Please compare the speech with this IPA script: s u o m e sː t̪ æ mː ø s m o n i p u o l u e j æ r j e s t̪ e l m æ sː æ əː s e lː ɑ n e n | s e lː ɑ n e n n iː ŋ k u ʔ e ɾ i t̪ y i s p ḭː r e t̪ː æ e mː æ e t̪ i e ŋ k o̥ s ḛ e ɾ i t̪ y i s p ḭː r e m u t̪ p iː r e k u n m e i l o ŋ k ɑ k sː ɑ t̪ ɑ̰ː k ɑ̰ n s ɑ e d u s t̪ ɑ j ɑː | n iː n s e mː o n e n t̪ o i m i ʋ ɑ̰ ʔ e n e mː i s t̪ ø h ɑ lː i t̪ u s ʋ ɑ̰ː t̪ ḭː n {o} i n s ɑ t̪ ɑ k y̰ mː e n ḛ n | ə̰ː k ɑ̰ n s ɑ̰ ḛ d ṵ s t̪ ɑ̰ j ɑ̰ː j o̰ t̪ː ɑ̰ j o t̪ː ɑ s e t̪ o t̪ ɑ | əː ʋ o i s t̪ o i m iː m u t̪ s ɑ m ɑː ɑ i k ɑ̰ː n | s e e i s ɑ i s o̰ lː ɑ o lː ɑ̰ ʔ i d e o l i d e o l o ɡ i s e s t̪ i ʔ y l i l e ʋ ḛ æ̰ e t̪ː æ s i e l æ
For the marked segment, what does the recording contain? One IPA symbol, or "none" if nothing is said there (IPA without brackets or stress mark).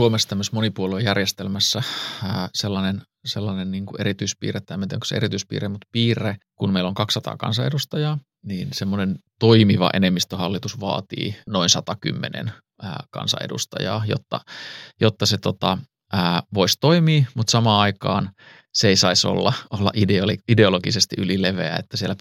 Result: o